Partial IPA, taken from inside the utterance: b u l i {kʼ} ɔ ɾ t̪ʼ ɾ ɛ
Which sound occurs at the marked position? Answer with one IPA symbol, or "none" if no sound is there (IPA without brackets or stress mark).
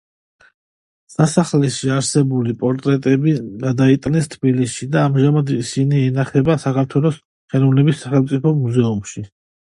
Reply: pʼ